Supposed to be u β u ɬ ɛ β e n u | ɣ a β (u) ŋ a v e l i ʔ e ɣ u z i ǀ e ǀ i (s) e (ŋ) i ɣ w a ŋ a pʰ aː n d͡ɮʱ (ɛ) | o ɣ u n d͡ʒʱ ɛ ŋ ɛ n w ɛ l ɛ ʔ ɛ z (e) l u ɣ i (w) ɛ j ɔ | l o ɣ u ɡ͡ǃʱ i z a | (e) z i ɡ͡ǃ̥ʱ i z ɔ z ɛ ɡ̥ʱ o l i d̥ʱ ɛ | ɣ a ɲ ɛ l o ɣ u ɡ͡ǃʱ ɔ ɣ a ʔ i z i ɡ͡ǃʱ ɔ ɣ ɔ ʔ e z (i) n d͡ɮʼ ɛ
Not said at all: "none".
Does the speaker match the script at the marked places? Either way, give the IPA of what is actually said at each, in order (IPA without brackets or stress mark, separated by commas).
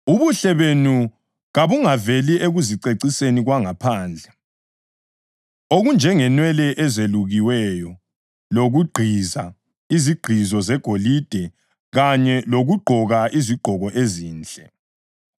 u, s, n, ɛ, e, w, i, iː